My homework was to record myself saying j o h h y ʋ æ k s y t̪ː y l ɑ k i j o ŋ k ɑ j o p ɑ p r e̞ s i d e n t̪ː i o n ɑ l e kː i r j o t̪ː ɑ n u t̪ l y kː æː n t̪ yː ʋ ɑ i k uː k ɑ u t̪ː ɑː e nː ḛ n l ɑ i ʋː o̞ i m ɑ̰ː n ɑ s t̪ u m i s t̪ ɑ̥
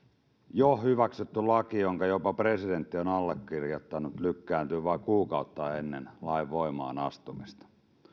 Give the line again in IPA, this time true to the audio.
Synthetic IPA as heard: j o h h y ʋ æ k s y t̪ː y l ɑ k i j o ŋ k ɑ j o p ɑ p r e̞ s i d e n t̪ː i o n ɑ lː e kː i r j o t̪ː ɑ n u t̪ l y kː æː n t̪ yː ʋ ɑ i k uː k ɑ u t̪ː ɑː e nː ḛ n l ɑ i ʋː o̞ i m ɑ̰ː n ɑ s t̪ u m i s t̪ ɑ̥